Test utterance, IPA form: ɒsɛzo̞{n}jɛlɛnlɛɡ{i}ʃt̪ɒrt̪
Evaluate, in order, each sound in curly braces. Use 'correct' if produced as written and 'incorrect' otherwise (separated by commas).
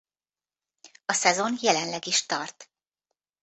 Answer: correct, correct